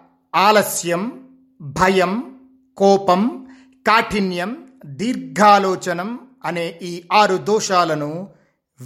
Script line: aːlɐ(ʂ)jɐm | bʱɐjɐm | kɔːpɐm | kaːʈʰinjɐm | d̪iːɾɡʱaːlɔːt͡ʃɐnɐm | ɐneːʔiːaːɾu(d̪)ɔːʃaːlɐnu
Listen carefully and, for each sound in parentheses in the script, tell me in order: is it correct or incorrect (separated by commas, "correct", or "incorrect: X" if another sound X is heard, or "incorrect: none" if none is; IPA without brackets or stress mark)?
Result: incorrect: s, correct